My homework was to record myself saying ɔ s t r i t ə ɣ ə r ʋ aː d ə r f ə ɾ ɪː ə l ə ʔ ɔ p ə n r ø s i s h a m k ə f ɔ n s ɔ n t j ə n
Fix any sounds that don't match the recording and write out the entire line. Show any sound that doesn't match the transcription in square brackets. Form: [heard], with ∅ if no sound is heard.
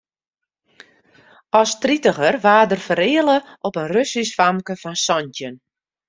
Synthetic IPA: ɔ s t r i t ə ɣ ə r ʋ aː d ə r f ə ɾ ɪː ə l ə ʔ ɔ p ə n r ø s i s [f] a m k ə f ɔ n s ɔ n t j ə n